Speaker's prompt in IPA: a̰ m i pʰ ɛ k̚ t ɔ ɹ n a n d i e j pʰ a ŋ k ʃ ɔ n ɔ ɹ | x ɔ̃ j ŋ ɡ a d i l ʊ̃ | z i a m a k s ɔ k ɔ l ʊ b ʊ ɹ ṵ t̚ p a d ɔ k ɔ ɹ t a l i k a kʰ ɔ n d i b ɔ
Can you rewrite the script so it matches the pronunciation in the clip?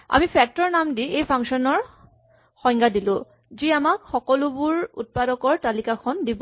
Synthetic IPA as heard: a̰ m i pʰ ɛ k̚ t ɔ ɹ n a m d i e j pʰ a ŋ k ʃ ɔ n ɔ ɹ | x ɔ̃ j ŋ ɡ a d i l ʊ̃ | z i a m a k x ɔ k ɔ l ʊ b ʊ ɹ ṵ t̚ p a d ɔ k ɔ ɹ t a l i k a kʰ ɔ n d i b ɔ